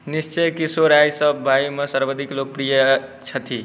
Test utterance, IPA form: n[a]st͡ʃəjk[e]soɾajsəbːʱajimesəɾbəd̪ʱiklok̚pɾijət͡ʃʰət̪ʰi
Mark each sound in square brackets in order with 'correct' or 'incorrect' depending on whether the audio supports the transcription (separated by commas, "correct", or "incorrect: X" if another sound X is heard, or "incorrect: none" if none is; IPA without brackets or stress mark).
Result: incorrect: i, incorrect: i